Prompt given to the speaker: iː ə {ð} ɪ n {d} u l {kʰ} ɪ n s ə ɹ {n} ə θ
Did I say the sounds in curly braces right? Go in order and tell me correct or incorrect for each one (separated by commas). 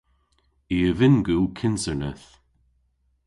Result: incorrect, incorrect, correct, correct